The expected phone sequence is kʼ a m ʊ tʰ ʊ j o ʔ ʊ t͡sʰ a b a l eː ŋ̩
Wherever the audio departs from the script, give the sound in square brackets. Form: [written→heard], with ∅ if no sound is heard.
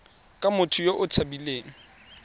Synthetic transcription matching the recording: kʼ a m ʊ tʰ ʊ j o ʔ ʊ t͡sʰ a b [a→i] l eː ŋ̩